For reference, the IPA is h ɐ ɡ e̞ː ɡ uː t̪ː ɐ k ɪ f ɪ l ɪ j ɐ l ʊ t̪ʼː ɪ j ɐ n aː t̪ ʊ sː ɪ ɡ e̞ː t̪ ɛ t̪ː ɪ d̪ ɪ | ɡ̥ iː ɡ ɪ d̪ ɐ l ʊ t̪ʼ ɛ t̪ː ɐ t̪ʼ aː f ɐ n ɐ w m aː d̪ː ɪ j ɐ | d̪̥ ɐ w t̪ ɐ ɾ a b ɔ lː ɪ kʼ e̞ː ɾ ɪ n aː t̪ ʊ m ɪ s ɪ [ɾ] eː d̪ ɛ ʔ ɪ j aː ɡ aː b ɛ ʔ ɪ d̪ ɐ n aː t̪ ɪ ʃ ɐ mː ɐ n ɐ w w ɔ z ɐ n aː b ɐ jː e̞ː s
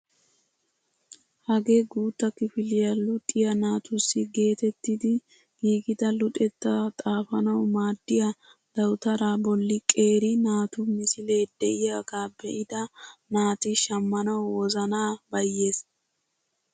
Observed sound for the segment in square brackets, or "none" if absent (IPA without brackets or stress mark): l